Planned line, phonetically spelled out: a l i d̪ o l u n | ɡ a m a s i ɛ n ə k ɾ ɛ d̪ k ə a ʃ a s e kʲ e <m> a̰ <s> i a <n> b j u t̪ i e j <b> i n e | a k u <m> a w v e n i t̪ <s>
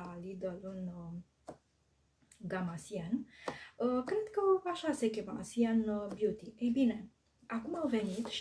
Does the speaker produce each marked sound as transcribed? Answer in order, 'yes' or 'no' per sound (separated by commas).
yes, yes, yes, yes, yes, no